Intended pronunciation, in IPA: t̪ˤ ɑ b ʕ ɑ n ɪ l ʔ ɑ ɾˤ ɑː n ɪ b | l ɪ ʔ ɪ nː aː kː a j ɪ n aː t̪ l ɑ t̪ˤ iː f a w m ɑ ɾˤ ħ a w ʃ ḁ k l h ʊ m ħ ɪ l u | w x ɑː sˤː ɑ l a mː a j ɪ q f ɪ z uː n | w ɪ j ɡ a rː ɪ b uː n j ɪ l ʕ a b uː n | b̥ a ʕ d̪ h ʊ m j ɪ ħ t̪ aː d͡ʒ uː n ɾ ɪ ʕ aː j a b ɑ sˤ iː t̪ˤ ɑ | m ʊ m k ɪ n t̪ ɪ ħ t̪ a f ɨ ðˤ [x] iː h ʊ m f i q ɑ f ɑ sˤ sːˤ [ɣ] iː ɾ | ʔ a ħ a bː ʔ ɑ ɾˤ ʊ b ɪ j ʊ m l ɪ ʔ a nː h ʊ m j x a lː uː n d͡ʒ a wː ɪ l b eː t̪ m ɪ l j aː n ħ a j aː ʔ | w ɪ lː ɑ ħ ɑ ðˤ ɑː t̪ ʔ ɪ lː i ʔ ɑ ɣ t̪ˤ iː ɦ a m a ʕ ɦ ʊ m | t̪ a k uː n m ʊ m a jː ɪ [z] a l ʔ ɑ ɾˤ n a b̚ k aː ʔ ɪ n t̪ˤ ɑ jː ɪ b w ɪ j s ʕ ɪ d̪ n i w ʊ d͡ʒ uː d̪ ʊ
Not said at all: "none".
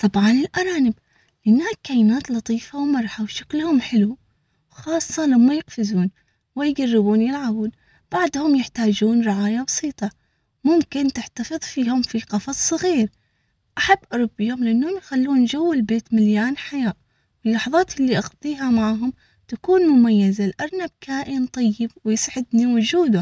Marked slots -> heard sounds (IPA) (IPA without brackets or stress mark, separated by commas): f, ɣ, z